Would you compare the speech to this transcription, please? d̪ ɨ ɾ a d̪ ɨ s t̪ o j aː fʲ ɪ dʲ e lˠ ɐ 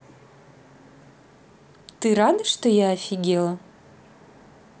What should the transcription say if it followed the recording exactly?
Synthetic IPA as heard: t̪ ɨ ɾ a d̪ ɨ ʂ t̪ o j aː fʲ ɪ ɡʲ e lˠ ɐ